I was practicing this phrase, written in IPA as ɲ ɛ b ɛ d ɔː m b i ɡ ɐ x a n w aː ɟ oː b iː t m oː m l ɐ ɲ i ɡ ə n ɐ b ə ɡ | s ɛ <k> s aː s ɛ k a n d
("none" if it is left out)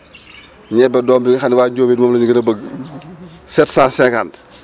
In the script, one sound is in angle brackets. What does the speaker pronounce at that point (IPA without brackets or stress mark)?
t